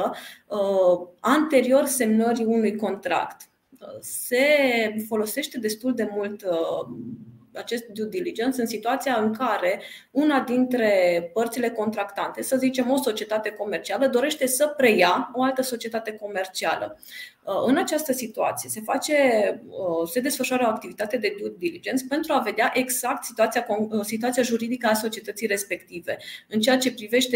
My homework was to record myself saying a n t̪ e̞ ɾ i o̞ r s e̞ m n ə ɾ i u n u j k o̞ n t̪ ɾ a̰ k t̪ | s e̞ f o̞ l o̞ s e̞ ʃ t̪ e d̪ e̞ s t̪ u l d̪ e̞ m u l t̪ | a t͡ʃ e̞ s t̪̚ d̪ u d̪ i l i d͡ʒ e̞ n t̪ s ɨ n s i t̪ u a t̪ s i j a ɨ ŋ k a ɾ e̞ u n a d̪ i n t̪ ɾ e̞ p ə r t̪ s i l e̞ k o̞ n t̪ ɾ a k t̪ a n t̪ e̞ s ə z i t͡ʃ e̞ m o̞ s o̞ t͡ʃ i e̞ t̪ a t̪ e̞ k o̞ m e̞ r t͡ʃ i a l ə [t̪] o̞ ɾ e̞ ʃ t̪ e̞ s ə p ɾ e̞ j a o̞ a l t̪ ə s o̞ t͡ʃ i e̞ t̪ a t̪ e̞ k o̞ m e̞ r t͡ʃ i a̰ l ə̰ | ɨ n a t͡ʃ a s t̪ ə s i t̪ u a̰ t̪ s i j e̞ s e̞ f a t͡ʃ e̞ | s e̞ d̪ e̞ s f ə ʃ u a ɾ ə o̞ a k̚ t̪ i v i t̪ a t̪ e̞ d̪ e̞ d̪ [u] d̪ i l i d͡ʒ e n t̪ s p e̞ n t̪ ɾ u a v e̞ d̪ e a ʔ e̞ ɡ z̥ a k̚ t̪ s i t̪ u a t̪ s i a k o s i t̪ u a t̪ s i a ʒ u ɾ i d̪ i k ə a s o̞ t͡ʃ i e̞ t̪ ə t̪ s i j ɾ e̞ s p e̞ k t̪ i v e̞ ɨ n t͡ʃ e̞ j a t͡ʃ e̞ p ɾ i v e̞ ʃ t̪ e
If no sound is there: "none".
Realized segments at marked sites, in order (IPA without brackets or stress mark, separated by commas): d̪, u